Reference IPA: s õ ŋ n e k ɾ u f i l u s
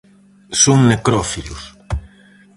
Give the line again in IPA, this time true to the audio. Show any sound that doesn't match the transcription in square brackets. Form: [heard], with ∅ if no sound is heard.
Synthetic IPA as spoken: s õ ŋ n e k ɾ [ɔ] f i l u s